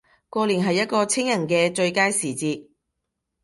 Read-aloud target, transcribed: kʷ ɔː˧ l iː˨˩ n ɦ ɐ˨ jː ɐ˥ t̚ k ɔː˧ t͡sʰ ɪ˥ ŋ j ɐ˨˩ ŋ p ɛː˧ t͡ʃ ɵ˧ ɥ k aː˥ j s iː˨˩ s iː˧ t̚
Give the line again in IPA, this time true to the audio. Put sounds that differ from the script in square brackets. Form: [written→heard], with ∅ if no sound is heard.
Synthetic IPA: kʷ ɔː˧ l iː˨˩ n ɦ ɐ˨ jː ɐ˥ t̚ k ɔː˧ t͡sʰ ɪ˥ ŋ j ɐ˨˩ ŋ [p→k] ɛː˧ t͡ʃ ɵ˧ ɥ k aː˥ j s iː˨˩ [s→t͡s] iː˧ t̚